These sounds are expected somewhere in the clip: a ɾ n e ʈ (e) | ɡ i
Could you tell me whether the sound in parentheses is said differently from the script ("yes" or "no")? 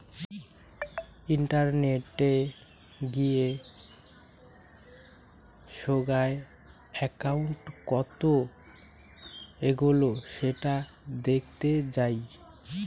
no